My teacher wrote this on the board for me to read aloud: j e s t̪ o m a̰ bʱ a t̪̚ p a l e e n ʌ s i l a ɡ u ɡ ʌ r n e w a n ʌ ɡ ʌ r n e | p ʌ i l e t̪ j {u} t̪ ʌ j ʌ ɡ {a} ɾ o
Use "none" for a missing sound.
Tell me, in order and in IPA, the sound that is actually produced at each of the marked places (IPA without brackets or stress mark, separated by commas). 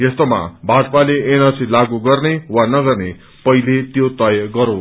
o, ʌ